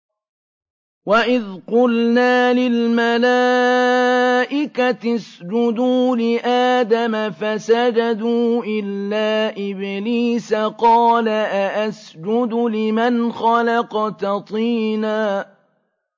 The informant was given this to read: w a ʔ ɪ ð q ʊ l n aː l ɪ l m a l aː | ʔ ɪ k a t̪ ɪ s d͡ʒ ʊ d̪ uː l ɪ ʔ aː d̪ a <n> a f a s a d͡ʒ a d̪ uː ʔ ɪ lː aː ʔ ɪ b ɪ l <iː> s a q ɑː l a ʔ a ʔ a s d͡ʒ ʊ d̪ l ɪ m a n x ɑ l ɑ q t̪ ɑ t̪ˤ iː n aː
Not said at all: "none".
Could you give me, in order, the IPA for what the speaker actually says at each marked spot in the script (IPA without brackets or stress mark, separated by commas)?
m, iː